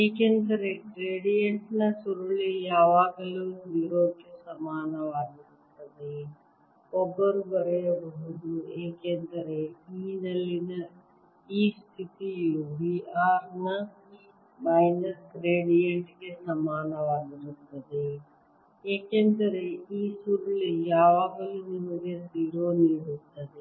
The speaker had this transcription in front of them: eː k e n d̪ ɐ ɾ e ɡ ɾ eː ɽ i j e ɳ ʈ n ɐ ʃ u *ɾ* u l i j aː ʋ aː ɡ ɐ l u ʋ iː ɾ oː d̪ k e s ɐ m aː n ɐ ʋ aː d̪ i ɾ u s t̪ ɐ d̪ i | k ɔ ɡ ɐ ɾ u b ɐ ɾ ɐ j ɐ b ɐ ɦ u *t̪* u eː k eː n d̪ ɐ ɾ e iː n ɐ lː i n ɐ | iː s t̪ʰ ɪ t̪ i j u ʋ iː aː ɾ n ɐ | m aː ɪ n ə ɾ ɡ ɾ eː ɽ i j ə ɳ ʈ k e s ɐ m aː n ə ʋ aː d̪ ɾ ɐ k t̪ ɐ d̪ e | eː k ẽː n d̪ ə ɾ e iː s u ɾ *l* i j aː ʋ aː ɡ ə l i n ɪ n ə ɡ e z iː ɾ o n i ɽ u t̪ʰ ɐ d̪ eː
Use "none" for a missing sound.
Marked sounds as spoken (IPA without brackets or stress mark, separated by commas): ɾ, d̪, l